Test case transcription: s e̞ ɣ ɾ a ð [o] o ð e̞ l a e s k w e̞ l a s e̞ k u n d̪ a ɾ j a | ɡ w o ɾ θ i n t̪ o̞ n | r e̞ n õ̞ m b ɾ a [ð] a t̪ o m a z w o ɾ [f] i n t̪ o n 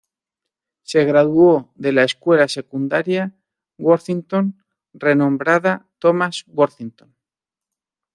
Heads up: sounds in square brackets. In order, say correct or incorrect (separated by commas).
incorrect, correct, incorrect